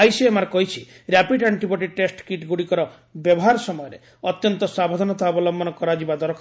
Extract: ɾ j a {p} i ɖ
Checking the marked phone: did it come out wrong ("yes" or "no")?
no